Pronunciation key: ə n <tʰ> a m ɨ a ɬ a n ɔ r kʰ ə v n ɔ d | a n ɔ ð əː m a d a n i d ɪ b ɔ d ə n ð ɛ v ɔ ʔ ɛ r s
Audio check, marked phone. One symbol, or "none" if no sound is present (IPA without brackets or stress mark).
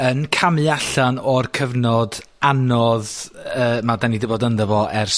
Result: kʰ